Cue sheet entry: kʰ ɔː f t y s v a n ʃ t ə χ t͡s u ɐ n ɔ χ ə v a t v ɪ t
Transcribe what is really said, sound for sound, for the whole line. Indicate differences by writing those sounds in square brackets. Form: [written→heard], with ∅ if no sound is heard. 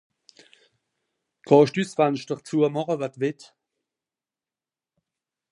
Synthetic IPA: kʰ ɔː [f→ʃ] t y s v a n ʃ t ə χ t͡s u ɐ [n→m] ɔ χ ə v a t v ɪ t